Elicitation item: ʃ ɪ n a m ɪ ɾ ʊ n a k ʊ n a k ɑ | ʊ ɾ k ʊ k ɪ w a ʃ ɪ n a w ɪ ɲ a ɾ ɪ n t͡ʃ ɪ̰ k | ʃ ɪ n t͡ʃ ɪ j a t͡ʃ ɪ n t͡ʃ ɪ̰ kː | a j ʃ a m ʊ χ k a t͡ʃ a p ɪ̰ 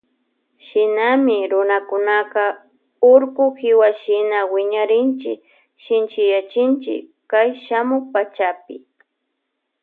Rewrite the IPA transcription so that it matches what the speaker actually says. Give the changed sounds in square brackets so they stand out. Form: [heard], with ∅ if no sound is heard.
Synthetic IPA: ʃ ɪ n a m ɪ ɾ ʊ n a k ʊ n a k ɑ | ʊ ɾ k ʊ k ɪ w a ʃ ɪ n a w ɪ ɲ a ɾ ɪ n t͡ʃ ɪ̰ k | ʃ ɪ n t͡ʃ ɪ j a t͡ʃ ɪ n t͡ʃ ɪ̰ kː | a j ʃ a m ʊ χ [p] a t͡ʃ a p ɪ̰